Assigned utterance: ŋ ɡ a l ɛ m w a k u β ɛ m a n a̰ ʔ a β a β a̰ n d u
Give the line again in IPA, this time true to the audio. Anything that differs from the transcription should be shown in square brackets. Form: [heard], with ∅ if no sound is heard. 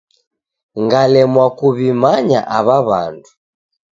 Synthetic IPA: ŋ ɡ a l ɛ m w a k u β [i] m a [ɲ] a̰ ʔ a β a β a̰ n d u